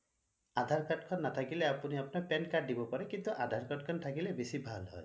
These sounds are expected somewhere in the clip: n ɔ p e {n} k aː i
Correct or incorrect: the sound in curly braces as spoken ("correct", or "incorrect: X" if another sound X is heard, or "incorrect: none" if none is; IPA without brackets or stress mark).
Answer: correct